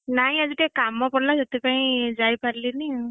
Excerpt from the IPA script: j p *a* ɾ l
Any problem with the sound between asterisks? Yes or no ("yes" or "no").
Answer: no